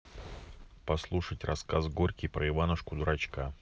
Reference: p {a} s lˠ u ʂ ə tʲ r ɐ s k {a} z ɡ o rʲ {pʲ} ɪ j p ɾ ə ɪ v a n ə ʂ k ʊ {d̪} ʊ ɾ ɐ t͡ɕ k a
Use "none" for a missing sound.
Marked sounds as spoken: ɐ, a, kʲ, d̪

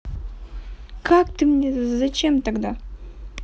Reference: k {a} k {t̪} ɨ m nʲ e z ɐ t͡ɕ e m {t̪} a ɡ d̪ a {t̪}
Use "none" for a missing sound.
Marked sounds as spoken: a, t̪, t̪, none

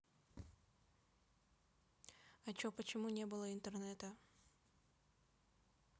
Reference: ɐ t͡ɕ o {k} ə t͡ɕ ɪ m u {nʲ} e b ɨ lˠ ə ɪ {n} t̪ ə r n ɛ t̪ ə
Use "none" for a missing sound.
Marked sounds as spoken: p, nʲ, n

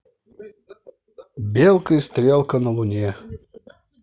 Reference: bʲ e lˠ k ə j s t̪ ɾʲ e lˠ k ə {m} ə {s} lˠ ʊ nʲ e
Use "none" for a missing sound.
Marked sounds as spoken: n, none

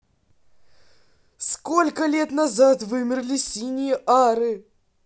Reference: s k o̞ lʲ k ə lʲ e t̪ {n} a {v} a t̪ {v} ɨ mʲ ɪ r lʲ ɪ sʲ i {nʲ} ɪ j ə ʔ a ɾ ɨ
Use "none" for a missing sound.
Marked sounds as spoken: n, z, v, nʲ

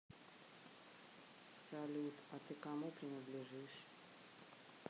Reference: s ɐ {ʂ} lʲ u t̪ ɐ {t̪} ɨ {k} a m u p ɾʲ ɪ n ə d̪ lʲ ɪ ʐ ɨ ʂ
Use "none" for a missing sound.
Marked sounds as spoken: none, t̪, k

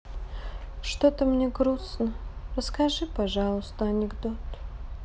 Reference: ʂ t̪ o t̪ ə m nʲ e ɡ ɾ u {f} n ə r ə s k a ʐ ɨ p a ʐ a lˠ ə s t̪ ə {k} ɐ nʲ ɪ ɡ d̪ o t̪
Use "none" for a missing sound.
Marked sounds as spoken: s, none

